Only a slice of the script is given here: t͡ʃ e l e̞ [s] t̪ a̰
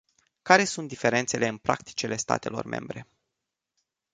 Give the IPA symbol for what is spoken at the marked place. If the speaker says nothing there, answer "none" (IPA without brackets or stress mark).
s